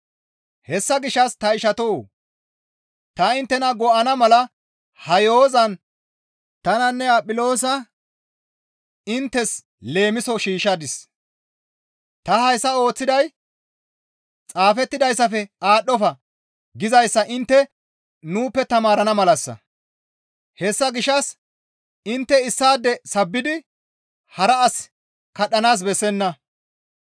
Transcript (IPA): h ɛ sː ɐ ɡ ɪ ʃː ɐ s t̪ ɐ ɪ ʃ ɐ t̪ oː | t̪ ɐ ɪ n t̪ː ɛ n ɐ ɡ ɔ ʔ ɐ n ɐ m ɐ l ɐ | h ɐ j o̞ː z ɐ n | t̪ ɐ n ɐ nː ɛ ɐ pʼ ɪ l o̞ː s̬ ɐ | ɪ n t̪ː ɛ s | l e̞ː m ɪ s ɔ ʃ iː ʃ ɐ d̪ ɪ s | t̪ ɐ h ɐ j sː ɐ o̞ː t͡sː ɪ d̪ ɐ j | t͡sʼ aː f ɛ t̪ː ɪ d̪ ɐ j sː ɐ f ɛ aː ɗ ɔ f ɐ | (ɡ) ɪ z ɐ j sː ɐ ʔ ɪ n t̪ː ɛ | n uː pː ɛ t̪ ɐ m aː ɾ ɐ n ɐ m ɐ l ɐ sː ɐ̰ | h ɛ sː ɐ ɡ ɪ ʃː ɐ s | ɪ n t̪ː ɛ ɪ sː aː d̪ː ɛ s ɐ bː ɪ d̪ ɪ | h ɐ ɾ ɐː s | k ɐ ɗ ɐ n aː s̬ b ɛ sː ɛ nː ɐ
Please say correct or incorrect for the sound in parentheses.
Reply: correct